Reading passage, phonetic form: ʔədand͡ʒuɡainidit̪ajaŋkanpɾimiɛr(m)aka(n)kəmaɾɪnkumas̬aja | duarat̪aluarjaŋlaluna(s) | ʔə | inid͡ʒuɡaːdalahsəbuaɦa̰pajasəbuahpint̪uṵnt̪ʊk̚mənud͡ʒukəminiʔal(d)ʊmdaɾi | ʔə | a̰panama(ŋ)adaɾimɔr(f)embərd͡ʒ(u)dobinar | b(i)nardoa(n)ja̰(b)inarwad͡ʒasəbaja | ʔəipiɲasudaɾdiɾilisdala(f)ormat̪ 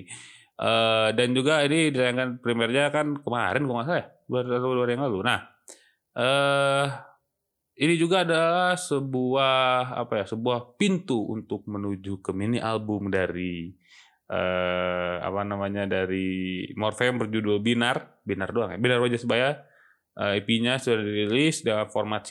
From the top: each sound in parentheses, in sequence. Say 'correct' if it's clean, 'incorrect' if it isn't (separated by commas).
incorrect, correct, incorrect, incorrect, incorrect, correct, correct, correct, incorrect, correct, correct